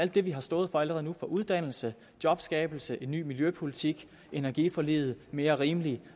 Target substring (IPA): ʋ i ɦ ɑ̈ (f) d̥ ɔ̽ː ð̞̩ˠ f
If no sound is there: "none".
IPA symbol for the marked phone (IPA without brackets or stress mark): s